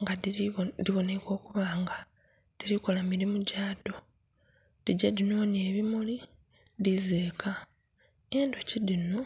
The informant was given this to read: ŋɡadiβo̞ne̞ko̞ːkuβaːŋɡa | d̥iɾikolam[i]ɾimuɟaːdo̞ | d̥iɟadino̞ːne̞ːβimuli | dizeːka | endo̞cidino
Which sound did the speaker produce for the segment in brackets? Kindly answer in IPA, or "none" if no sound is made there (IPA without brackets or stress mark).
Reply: i